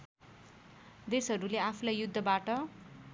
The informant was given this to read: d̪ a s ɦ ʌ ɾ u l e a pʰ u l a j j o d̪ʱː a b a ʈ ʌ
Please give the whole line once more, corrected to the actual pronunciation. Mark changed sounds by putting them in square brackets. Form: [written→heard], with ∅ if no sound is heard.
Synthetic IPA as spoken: d̪ [a→e] s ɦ ʌ ɾ u l e a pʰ u l a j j [o→u] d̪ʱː [a→ʌ] b a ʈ ʌ